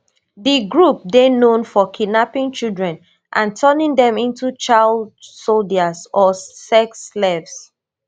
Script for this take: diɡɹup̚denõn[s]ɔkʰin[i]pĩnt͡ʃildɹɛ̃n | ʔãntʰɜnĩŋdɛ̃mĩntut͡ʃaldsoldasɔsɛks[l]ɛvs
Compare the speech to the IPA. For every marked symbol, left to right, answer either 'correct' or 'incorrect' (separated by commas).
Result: incorrect, incorrect, correct